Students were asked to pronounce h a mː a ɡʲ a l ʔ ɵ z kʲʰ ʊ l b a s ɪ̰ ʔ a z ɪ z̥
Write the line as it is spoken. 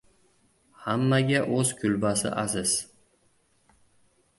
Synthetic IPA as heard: h a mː a ɡʲ a ʔ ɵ z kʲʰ ʊ l b a s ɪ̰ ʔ a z ɪ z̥